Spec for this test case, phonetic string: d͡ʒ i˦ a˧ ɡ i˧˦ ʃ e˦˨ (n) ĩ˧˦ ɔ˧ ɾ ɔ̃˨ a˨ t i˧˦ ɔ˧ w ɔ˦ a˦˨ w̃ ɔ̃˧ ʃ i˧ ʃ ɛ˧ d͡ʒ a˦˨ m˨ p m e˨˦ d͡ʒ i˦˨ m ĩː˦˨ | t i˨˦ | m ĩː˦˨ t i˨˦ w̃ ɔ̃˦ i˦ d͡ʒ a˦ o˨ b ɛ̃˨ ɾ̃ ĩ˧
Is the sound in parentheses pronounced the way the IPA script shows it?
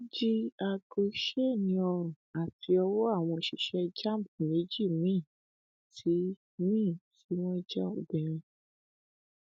yes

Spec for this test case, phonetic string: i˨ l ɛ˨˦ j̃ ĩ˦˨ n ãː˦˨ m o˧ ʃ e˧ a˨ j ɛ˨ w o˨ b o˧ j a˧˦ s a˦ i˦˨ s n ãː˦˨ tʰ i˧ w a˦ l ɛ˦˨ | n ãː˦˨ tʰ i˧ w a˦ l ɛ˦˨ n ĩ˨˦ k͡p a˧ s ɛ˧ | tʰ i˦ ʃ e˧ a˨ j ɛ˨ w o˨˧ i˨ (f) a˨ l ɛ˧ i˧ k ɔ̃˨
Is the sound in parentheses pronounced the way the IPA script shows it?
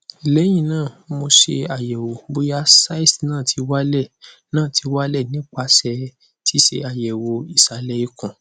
no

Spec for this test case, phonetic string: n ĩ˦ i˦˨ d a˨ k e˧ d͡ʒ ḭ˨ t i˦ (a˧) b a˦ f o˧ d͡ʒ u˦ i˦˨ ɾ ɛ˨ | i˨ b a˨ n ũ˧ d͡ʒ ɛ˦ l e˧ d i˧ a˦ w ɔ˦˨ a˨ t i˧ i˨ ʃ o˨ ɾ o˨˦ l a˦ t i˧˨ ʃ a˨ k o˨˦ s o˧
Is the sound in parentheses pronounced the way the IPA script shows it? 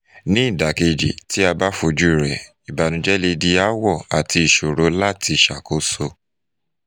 yes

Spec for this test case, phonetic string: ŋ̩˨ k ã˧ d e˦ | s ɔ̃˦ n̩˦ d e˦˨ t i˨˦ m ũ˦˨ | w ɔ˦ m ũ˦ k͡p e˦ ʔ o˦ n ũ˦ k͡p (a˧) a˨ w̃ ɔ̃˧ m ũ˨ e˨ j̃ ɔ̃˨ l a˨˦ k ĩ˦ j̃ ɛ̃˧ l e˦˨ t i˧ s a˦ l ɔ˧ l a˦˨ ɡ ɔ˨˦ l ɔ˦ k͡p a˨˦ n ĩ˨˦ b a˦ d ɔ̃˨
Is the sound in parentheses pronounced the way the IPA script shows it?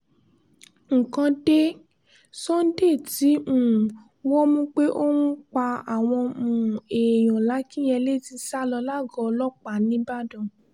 yes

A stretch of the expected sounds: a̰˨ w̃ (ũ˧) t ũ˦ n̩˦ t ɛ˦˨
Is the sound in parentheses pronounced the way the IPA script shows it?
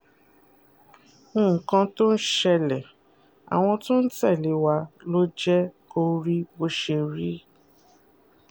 no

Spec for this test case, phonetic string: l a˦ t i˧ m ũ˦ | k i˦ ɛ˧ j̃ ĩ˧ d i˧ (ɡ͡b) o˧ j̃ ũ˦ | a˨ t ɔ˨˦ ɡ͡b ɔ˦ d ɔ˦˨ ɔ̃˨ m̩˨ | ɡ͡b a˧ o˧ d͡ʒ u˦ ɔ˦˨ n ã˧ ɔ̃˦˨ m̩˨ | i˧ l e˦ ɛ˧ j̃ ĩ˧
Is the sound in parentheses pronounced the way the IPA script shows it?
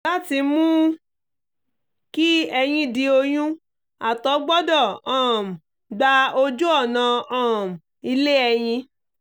no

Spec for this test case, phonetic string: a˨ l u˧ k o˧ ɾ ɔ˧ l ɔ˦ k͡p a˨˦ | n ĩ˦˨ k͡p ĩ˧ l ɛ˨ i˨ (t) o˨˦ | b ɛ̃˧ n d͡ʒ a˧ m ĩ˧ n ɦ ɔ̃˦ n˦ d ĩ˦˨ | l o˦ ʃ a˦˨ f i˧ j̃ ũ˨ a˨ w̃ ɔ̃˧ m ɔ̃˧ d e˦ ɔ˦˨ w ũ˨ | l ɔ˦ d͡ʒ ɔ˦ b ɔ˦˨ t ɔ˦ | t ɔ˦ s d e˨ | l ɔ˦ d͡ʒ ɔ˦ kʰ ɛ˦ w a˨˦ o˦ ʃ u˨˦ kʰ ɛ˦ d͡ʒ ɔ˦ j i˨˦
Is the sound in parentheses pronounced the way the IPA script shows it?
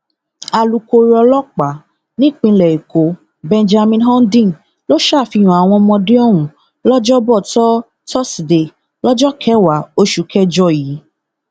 no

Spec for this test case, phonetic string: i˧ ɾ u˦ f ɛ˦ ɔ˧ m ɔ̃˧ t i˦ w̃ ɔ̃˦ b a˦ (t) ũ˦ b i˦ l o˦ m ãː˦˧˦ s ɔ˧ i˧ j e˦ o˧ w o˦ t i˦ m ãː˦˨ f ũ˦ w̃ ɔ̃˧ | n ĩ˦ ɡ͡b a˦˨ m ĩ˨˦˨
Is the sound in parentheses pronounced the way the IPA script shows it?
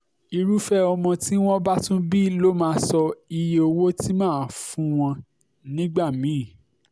yes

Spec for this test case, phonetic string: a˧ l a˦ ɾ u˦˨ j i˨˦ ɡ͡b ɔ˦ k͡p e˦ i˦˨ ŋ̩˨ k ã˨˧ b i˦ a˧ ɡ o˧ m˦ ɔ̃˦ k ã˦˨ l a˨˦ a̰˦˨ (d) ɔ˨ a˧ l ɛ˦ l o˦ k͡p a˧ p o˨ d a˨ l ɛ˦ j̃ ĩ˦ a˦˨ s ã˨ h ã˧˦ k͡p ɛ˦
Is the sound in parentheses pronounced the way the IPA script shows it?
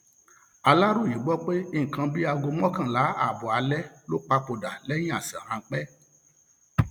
no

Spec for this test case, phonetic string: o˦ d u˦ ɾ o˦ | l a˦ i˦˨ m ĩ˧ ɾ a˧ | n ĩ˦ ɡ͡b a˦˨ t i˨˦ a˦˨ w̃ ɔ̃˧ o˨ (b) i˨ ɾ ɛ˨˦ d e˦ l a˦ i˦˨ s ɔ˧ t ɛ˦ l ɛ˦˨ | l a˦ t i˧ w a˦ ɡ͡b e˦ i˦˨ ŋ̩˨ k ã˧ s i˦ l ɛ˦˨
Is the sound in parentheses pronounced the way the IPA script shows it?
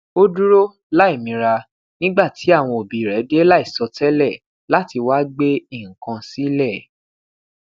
yes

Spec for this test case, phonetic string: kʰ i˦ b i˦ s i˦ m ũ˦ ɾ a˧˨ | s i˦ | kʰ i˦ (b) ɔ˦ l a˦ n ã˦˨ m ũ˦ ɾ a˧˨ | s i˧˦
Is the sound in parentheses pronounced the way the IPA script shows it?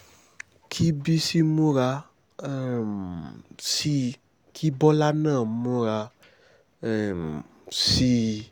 yes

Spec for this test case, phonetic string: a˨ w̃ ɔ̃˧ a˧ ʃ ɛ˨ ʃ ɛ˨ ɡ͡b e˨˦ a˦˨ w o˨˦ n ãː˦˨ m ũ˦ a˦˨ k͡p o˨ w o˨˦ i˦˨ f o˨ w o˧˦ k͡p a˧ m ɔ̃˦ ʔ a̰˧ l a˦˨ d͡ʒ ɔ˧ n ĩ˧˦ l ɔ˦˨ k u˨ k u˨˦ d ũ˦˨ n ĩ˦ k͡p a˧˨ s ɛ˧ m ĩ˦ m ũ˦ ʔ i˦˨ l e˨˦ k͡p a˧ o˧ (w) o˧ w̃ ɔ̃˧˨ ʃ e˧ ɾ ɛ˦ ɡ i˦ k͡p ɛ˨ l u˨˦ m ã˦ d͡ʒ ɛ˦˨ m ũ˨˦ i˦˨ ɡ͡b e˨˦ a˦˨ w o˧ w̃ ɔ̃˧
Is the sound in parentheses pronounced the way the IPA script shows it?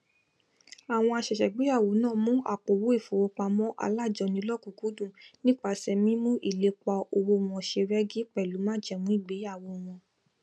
yes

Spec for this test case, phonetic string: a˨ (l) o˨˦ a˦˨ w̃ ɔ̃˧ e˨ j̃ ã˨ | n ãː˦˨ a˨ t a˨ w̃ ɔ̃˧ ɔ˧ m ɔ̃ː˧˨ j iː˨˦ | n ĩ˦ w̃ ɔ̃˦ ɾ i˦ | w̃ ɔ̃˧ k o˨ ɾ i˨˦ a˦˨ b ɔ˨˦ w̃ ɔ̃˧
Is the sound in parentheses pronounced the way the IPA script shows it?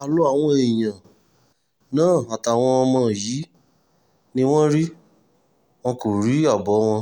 yes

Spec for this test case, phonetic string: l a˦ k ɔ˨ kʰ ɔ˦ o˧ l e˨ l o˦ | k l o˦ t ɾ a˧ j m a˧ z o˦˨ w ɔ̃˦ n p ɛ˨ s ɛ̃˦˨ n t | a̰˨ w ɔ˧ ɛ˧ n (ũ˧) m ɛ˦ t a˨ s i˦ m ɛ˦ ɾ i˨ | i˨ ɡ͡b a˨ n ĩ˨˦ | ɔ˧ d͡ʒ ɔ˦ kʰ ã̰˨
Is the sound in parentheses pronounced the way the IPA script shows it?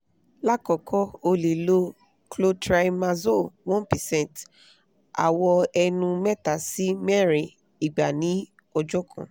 yes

